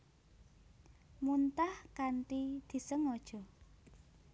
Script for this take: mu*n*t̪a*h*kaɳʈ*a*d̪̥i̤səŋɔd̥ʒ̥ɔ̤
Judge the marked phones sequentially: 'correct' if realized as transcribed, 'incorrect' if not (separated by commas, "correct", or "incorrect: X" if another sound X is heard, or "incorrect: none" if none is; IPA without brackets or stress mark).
correct, correct, incorrect: i